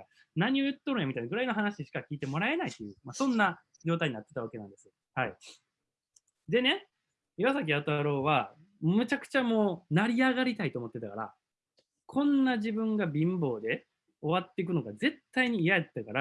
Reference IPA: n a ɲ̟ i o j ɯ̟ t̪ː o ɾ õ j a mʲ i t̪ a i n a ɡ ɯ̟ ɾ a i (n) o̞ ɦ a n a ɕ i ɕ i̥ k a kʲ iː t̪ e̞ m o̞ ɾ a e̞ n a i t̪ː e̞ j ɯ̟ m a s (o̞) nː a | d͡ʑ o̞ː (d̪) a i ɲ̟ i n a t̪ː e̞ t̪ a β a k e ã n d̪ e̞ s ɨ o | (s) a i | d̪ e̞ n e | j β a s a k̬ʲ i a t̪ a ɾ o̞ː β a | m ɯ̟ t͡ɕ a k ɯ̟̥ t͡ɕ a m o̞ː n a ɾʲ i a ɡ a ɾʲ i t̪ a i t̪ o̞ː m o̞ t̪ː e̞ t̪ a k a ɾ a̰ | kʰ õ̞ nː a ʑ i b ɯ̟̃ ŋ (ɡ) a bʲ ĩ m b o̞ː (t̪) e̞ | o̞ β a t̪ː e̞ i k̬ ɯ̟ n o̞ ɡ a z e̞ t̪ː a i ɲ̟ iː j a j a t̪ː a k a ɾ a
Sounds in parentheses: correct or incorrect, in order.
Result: correct, incorrect: õ̞, incorrect: t̪, incorrect: h, correct, incorrect: d̪

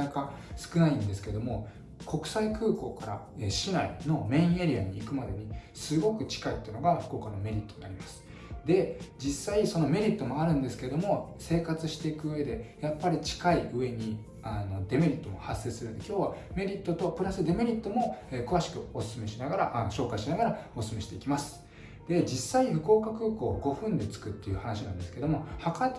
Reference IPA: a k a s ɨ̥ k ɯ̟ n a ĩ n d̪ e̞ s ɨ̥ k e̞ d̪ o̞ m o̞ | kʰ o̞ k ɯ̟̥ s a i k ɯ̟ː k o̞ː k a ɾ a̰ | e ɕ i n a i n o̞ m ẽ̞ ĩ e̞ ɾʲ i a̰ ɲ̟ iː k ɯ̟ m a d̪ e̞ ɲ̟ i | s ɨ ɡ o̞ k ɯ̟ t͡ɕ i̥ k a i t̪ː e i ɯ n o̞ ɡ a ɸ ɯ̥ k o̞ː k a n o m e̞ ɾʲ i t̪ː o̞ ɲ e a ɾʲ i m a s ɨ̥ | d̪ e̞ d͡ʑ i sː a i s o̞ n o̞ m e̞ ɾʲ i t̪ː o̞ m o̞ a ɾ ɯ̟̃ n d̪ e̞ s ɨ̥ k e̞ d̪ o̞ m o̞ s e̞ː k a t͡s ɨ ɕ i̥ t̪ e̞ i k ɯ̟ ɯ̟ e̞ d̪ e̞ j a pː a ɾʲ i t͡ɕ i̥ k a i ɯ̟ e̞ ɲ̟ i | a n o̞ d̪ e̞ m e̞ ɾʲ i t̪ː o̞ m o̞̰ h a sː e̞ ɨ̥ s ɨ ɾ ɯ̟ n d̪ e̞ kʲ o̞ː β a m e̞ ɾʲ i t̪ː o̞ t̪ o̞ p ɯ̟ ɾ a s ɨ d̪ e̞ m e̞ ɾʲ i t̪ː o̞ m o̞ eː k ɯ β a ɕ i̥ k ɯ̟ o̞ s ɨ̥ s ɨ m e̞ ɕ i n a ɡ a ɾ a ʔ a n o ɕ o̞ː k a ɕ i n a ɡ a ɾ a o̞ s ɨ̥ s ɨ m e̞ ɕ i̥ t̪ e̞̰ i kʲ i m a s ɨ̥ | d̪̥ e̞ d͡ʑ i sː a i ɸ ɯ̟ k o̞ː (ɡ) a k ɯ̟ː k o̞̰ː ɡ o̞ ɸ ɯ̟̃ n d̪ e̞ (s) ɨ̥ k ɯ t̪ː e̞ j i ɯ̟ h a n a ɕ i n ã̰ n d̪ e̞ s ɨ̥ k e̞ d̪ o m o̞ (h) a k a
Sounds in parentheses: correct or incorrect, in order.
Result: incorrect: k, incorrect: t͡s, correct

